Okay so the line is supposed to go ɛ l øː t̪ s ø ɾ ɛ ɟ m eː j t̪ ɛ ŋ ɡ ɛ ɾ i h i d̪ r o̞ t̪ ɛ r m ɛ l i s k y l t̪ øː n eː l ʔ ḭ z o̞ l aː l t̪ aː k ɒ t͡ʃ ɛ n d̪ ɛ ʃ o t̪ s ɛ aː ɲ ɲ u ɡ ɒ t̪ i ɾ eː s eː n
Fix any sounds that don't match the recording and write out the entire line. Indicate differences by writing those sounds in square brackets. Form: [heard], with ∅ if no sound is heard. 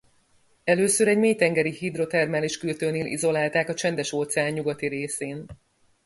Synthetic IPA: ɛ l øː [∅] s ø ɾ ɛ ɟ m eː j t̪ ɛ ŋ ɡ ɛ ɾ i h i d̪ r o̞ t̪ ɛ r m ɛ l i [ʃ] k y l t̪ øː n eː l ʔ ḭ z o̞ l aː l t̪ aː k ɒ t͡ʃ ɛ n d̪ ɛ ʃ o t̪ s ɛ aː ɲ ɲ u ɡ ɒ t̪ i ɾ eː s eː n